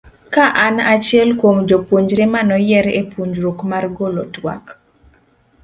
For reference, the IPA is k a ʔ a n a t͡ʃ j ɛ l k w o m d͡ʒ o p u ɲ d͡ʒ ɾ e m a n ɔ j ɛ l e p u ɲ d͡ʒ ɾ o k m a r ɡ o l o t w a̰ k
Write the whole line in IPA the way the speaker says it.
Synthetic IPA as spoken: k a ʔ a n a t͡ʃ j ɛ l k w o m d͡ʒ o p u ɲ d͡ʒ ɾ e m a n ɔ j ɛ ɾ e p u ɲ d͡ʒ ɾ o k m a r ɡ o l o t w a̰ k